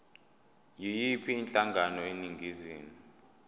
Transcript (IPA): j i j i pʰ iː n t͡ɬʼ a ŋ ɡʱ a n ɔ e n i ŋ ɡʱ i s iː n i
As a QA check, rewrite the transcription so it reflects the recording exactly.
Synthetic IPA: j i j i pʰ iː n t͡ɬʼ a ŋ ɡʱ a n ɔ e n i ŋ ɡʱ i z iː n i